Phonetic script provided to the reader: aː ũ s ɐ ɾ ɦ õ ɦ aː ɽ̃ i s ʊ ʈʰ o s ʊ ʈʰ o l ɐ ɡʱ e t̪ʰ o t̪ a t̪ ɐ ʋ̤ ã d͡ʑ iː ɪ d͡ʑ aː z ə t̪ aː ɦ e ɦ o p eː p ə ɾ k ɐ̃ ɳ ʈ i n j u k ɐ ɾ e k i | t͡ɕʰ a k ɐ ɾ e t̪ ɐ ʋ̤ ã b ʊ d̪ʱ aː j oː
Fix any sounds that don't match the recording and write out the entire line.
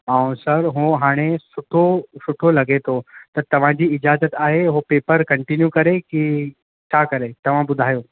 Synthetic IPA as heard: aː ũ s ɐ ɾ ɦ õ ɦ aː ɽ̃ e s ʊ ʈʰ o s ʊ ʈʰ o l ɐ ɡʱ e t̪ʰ o t̪ ɐ t̪ ɐ ʋ̤ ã d͡ʑ iː ɪ d͡ʑ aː z ə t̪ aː ɦ e ɦ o p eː p ə ɾ k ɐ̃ ɳ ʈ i n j u k ɐ ɾ e k i | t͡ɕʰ a k ɐ ɾ e t̪ ɐ ʋ̤ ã b ʊ d̪ʱ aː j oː